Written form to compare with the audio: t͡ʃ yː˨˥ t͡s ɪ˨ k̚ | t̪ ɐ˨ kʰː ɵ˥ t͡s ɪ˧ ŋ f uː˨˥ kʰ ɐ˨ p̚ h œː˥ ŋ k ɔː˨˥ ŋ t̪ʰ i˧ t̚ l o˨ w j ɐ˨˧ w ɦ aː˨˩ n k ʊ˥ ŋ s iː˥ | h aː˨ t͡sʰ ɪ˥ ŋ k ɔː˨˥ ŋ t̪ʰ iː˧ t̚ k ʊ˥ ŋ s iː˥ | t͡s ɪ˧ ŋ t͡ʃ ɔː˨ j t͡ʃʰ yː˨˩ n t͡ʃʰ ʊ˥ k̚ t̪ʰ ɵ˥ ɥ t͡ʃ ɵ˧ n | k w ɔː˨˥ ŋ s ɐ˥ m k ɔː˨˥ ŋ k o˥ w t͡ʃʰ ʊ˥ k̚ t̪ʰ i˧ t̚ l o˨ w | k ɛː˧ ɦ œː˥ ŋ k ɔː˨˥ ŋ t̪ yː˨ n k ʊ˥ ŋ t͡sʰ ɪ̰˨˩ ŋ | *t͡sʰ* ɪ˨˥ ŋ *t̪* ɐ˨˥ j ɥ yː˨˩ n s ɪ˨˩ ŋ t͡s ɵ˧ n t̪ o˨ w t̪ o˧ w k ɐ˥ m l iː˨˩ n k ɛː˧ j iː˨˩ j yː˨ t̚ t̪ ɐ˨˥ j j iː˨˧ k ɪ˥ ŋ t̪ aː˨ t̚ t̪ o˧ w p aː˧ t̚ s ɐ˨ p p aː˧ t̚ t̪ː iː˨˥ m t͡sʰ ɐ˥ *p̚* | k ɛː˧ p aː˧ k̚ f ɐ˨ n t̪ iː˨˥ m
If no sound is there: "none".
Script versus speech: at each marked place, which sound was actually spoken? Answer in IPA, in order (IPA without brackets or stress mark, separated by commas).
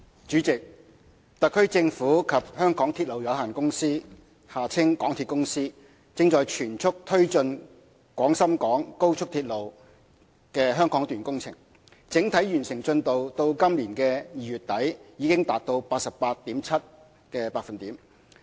t͡s, t̪ʰ, t̚